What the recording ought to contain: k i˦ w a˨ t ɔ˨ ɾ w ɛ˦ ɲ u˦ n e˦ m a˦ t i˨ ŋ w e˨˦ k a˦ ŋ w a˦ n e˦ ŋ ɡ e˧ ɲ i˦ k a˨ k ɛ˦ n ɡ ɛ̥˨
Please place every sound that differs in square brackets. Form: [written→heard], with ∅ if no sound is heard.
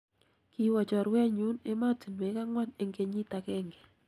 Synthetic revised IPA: k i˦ w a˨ [t→t͡ʃ] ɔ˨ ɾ w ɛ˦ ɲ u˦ n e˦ m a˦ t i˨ [ŋ→n] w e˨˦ k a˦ ŋ w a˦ n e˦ ŋ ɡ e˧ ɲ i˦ [k→t] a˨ k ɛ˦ [n→ŋ] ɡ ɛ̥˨